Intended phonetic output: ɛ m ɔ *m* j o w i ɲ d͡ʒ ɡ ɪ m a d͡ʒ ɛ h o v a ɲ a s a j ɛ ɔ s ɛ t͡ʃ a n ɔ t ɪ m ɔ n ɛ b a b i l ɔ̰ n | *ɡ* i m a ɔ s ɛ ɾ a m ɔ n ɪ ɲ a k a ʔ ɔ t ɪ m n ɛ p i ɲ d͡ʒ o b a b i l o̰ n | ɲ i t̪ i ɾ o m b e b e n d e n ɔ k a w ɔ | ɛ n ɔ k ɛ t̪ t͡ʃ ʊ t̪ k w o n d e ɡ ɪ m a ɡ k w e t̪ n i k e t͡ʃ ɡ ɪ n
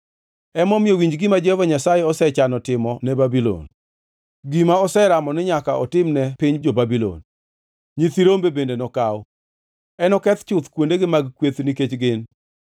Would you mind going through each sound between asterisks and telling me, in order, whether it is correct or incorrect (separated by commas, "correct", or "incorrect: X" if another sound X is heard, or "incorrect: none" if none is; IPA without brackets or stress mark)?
correct, correct